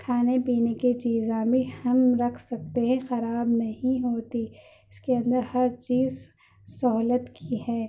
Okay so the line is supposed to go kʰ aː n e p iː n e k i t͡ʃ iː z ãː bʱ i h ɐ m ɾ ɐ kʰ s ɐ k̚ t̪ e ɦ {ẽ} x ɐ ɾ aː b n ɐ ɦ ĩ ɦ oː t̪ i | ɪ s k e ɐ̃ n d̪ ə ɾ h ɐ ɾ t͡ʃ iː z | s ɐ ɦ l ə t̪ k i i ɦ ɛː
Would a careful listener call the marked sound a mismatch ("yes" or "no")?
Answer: yes